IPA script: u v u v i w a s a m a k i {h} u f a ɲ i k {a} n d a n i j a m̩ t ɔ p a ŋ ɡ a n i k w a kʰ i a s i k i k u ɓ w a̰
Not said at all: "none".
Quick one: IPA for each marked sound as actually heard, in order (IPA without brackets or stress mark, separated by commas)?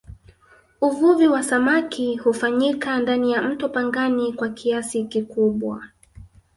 h, a